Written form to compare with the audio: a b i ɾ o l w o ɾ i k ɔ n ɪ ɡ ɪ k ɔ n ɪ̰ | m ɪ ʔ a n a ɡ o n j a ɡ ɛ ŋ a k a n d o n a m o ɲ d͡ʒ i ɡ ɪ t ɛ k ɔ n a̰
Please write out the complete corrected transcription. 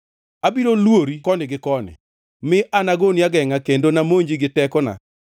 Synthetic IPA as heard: a b i ɾ o l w o ɾ i k ɔ n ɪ ɡ ɪ k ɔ n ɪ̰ | m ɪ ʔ a n a ɡ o n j a ɡ ɛ ŋ a k e n d o n a m o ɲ d͡ʒ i ɡ ɪ t ɛ k ɔ n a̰